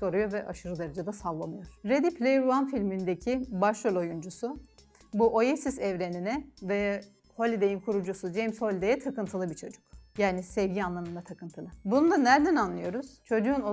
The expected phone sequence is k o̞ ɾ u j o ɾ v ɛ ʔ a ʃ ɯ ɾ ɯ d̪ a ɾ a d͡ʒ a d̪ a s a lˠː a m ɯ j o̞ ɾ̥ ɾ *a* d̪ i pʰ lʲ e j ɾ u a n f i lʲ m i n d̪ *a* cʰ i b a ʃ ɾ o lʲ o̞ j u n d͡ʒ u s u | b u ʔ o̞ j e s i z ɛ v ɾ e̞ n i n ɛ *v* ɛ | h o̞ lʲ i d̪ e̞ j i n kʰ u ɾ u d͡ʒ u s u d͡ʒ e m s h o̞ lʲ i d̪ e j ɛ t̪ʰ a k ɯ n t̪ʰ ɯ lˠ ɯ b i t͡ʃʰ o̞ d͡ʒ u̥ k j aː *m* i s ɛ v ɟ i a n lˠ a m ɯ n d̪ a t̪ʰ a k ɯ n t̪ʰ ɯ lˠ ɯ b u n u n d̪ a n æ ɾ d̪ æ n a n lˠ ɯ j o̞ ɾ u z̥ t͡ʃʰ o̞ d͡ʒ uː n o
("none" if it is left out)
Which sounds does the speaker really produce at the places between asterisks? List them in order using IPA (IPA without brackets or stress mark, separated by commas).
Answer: e, e, v, n